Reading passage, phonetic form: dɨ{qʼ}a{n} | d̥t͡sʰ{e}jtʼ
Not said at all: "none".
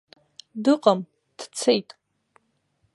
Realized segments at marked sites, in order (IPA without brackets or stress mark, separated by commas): qʼ, m, e